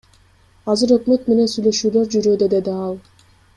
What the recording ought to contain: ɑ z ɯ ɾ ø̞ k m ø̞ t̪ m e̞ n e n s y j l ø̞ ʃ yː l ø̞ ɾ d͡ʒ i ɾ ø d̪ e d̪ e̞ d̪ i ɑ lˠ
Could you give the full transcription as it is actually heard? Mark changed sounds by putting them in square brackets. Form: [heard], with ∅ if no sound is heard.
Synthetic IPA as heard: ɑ z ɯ ɾ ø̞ k m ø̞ t̪ m e̞ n e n s y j l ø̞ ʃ yː l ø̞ ɾ d͡ʒ [y] ɾ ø d̪ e d̪ e̞ d̪ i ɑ lˠ